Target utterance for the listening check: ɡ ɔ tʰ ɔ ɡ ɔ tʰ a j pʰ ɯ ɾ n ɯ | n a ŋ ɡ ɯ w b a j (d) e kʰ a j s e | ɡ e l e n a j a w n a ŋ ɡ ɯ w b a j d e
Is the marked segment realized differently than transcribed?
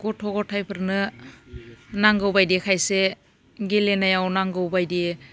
no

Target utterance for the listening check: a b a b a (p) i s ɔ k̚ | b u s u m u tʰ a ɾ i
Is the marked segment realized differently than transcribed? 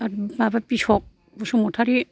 no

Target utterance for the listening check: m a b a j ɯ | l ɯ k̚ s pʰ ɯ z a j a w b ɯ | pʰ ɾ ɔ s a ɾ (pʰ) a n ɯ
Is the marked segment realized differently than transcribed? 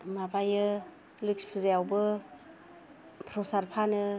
no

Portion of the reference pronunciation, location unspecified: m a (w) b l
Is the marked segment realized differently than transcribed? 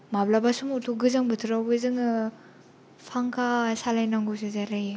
yes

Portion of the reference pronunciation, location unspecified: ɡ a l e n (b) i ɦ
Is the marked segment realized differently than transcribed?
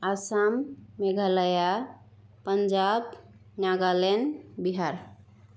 no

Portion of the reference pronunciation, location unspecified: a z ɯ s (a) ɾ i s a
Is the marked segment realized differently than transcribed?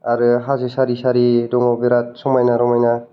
no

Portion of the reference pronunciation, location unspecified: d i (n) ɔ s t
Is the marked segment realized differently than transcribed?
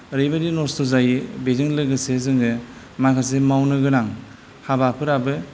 no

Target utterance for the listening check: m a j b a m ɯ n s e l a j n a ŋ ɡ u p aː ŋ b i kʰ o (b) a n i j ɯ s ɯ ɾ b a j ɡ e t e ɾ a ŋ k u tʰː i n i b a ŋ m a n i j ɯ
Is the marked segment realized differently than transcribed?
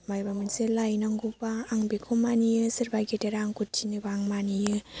yes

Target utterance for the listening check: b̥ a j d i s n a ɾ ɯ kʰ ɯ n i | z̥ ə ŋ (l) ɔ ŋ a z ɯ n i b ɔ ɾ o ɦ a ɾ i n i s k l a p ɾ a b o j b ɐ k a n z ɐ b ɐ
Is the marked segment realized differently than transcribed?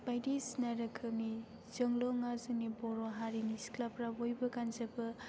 no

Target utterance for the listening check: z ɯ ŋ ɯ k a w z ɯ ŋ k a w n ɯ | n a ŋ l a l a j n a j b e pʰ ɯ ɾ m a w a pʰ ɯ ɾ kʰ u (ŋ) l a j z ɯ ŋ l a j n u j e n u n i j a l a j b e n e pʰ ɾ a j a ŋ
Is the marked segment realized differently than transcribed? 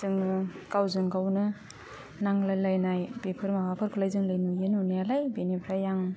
yes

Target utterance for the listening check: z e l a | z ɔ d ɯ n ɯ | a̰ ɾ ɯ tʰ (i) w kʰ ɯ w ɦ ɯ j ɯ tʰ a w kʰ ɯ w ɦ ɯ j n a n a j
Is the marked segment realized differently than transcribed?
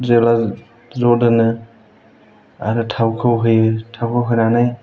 yes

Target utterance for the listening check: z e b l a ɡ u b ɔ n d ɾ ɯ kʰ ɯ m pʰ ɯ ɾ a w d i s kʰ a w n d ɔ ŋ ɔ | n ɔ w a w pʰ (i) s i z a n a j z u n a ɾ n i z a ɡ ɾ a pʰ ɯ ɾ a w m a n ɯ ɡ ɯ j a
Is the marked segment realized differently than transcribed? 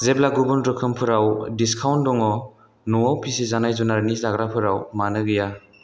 no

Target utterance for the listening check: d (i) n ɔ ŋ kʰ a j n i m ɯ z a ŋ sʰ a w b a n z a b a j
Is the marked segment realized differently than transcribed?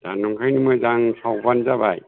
yes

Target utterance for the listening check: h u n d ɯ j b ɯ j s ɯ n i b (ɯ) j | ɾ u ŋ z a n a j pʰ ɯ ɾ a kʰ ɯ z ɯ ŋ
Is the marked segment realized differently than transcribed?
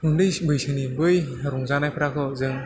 no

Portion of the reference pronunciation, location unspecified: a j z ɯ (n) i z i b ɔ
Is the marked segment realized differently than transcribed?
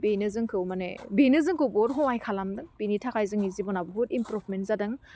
yes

